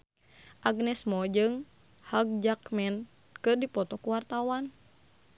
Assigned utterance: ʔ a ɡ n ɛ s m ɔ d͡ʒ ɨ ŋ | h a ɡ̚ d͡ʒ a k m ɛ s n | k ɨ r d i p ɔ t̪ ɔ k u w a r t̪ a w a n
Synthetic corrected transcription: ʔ a ɡ n ɛ s m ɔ d͡ʒ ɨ ŋ | h a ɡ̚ d͡ʒ a k m ɛ n | k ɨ r d i p ɔ t̪ ɔ k u w a r t̪ a w a n